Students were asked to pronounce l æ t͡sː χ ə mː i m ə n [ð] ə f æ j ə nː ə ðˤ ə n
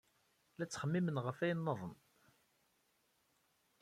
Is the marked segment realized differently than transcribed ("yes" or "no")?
yes